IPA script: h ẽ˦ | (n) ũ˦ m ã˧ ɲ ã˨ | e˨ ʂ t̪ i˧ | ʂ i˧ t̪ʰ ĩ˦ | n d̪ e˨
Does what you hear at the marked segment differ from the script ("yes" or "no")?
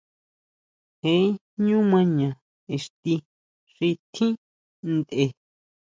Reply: yes